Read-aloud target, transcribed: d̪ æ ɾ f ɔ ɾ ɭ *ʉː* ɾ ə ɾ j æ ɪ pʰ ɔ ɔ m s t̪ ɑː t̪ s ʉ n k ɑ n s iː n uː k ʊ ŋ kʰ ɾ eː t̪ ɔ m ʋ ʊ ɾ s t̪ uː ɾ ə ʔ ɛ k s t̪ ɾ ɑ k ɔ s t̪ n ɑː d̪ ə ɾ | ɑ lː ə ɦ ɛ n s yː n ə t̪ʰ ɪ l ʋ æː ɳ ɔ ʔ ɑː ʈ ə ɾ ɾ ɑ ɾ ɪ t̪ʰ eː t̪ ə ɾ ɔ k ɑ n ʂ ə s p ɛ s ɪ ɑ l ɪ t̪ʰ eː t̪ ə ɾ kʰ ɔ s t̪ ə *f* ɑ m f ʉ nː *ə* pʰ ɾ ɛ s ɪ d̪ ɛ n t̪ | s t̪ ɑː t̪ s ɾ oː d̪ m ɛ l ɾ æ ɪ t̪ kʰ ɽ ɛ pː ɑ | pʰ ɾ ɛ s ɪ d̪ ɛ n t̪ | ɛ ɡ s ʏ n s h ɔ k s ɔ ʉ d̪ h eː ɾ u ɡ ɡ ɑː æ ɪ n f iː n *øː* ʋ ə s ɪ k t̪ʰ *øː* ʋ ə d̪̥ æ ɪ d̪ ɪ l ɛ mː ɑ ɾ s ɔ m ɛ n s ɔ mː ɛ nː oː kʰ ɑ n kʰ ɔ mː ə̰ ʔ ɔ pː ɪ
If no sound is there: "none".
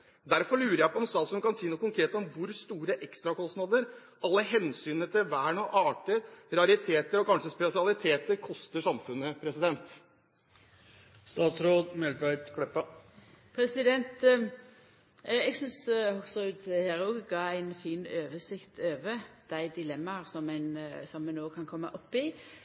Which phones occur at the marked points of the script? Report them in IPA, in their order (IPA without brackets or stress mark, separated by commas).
ʉː, ʂ, ə, øː, øː